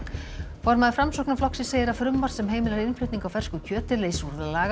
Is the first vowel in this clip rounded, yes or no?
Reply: yes